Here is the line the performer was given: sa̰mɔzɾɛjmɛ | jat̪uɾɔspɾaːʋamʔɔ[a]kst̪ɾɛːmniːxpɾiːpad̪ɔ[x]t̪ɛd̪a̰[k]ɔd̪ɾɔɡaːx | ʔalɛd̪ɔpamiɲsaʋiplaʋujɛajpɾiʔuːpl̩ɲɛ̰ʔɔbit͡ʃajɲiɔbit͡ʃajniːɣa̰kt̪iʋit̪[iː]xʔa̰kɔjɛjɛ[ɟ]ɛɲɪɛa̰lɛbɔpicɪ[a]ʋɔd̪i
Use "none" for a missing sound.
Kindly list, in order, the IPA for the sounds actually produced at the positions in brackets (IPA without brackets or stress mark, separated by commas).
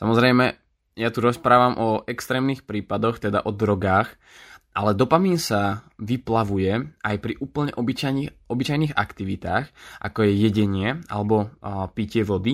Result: ɛ, x, ʔ, aː, ɟ, ɛ